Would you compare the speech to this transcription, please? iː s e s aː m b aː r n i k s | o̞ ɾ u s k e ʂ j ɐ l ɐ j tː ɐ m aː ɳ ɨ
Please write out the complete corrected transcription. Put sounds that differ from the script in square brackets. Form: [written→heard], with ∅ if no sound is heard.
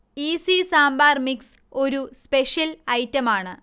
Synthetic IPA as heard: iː s [e→i] s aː m b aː r [n→m] i k s | o̞ ɾ u s [k→p] e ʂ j ɐ l ɐ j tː ɐ m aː ɳ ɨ